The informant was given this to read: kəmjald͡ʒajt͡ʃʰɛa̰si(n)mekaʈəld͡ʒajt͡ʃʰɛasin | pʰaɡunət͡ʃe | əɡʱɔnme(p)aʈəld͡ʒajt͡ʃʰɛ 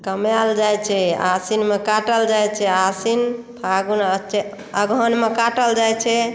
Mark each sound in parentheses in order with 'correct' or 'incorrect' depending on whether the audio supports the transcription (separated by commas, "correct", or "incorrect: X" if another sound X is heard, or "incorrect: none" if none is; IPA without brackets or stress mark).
correct, incorrect: k